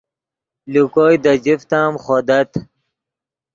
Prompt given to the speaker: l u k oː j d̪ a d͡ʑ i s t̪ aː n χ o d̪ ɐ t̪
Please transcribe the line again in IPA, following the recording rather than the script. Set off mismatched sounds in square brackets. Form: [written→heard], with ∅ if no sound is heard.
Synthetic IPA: l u k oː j d̪ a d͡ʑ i [s→f] t̪ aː [n→m] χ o d̪ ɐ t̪